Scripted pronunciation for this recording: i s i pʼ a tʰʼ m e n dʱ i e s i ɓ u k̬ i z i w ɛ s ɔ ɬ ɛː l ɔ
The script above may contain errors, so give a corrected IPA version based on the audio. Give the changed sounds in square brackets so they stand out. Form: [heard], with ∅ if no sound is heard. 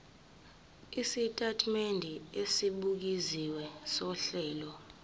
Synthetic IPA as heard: i s i [tʼ] a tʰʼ m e n dʱ i e s i ɓ u k̬ i z i w ɛ s ɔ ɬ ɛː l ɔ